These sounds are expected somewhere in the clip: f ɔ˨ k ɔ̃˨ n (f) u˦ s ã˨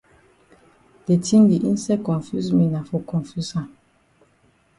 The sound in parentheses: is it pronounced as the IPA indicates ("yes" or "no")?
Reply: yes